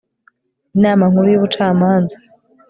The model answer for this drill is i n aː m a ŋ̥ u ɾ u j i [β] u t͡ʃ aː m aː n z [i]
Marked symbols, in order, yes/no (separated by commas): yes, no